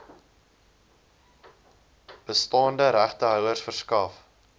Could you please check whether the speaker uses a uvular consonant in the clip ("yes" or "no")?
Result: yes